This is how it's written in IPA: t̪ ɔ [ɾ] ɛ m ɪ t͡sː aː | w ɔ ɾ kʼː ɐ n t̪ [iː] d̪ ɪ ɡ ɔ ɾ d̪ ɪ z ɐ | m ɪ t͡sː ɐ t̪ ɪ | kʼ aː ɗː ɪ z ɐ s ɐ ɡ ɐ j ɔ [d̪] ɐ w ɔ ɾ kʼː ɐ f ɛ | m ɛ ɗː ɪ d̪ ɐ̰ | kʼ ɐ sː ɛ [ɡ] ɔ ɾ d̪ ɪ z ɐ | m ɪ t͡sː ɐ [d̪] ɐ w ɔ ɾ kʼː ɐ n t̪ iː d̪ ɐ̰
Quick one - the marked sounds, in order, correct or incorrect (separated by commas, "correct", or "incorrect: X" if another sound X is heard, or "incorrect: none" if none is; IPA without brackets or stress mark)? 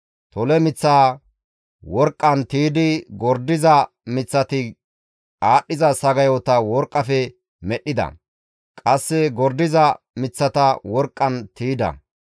incorrect: l, correct, incorrect: t̪, correct, incorrect: t̪